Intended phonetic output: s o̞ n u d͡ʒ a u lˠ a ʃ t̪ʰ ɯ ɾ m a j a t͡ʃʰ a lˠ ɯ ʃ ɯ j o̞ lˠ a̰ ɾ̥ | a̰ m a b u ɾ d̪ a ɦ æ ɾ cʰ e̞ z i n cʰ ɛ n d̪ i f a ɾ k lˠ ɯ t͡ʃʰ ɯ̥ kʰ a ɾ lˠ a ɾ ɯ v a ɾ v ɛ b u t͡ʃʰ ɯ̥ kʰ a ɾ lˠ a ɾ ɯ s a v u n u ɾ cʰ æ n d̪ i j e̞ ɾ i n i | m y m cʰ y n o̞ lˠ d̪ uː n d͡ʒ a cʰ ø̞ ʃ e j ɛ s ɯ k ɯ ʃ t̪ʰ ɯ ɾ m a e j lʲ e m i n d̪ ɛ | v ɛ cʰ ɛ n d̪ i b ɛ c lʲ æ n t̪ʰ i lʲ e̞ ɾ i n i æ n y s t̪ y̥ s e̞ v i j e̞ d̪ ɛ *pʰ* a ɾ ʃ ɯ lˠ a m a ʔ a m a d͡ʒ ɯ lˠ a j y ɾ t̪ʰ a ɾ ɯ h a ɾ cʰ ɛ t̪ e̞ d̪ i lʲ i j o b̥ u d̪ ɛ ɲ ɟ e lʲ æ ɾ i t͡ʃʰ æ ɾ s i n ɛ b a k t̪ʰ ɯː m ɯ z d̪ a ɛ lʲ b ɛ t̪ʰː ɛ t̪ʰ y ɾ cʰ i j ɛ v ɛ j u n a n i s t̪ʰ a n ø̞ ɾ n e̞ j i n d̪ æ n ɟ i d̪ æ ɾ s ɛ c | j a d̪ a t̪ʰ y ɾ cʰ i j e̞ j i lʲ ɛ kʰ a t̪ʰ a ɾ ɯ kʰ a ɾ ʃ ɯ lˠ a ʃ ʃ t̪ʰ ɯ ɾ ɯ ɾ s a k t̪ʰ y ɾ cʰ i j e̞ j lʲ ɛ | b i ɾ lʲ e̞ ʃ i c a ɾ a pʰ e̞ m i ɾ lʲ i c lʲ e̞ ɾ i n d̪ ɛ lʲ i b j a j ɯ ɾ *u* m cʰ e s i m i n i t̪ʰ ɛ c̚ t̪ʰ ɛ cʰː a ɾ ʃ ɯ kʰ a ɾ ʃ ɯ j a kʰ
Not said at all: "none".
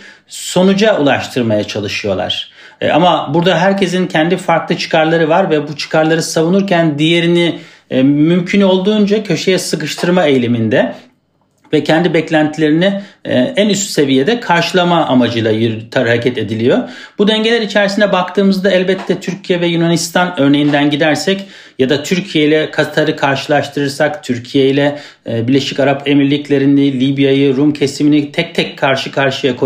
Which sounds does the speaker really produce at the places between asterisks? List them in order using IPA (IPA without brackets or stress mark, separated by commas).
kʰ, u